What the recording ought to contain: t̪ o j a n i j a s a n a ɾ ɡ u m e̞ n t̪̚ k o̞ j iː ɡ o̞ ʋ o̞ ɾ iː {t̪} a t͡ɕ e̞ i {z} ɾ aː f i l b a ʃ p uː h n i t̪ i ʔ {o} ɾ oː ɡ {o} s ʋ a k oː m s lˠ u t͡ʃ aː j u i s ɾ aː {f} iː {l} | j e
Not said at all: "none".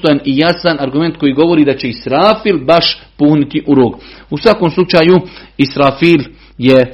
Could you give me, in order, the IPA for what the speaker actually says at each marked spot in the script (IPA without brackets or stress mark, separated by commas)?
d̪, s, u, u, f, l